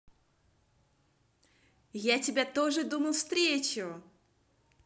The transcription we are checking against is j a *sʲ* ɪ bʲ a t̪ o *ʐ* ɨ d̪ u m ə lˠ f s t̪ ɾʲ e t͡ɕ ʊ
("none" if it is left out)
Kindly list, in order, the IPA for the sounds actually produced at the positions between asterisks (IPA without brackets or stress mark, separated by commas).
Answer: tʲ, ʐ